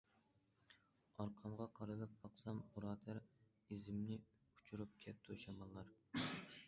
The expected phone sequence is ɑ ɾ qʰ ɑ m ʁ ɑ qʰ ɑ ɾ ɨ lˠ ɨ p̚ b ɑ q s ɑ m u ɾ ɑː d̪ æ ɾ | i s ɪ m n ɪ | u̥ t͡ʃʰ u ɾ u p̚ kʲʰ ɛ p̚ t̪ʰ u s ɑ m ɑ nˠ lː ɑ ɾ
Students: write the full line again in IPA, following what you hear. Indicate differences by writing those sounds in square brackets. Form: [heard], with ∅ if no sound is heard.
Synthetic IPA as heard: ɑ ɾ qʰ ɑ m ʁ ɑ qʰ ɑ ɾ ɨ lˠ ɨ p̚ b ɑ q s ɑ m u ɾ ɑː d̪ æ ɾ | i [z] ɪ m n ɪ | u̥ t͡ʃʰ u ɾ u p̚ kʲʰ ɛ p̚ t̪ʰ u [ʃ] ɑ m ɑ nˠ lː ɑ ɾ